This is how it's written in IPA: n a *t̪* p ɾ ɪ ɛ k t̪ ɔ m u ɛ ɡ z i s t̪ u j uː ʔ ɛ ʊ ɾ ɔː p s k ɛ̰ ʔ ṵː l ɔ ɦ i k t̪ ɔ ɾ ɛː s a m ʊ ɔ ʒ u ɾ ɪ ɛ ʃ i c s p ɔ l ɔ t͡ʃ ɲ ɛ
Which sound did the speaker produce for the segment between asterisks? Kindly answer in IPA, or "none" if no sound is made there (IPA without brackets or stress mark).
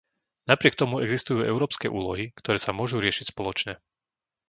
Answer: none